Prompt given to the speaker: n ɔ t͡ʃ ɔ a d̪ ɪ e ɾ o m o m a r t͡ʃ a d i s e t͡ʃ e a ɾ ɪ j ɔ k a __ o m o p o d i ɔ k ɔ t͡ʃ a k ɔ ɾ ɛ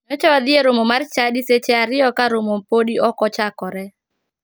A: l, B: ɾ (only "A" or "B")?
B